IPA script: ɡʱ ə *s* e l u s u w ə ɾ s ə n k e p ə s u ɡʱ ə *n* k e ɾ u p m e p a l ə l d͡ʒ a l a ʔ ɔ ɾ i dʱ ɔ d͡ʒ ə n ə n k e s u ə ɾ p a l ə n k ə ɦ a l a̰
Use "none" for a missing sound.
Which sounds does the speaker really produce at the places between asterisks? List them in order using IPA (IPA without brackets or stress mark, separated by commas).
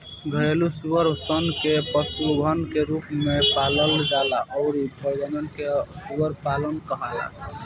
none, n